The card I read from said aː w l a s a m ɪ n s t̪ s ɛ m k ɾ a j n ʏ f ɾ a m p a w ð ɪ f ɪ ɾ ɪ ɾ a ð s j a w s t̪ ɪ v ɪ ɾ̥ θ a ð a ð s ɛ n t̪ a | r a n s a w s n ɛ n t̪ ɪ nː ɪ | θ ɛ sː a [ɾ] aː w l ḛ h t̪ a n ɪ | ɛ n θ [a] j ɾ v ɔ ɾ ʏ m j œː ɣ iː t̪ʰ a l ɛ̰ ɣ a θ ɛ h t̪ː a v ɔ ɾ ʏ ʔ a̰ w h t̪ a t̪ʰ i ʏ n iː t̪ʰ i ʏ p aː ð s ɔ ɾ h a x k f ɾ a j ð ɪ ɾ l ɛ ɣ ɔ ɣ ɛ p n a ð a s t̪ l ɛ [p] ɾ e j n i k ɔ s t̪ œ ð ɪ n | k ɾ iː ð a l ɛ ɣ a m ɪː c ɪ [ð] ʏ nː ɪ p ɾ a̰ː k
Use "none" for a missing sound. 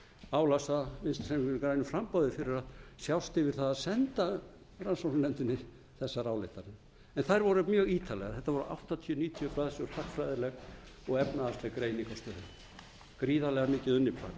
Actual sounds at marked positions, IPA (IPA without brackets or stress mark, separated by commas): ɾ, a, k, ð